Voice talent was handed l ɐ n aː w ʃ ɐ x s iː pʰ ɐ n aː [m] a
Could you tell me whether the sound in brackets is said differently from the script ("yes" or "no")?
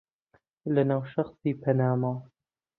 no